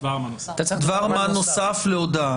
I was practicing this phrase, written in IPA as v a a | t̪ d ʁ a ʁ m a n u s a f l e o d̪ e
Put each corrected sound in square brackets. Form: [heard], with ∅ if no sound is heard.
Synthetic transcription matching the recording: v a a | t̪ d [v] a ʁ m a n [o] s a f l e o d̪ [a]